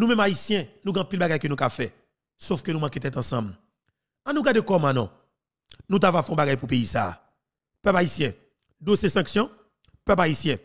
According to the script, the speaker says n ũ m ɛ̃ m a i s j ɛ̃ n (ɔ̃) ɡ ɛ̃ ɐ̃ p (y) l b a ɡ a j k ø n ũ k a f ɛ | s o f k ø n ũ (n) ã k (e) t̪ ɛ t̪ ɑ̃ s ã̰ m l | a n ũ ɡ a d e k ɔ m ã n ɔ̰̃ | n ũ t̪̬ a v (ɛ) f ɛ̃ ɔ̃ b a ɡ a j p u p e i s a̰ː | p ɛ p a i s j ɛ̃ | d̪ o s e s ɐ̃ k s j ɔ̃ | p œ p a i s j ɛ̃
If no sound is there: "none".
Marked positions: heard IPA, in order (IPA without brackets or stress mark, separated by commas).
ũ, i, m, e, a